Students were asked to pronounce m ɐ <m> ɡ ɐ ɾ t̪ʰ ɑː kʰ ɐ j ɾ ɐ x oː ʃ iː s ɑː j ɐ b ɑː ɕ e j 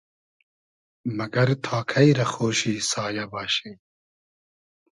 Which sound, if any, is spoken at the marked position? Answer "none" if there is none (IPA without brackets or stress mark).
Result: none